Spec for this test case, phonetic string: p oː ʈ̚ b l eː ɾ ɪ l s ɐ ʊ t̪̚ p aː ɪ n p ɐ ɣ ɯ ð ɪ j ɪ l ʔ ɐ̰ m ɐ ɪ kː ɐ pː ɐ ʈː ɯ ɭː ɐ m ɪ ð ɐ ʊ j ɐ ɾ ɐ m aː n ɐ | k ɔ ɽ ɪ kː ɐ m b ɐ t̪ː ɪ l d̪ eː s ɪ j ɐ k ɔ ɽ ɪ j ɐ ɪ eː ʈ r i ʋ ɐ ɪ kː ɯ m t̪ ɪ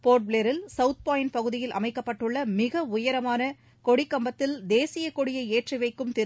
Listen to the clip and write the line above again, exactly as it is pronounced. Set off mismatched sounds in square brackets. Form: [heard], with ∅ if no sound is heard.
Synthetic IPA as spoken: p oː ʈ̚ b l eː ɾ ɪ l s ɐ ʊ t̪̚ p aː ɪ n p ɐ ɣ ɯ ð ɪ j ɪ l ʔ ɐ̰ m ɐ ɪ kː ɐ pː ɐ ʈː ɯ ɭː ɐ m ɪ [ɣ] ɐ ʊ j ɐ ɾ ɐ m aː n ɐ | k ɔ ɽ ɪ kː ɐ m b ɐ t̪ː ɪ l d̪ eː s ɪ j ɐ k ɔ ɽ ɪ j ɐ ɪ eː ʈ r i ʋ ɐ ɪ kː ɯ m t̪ ɪ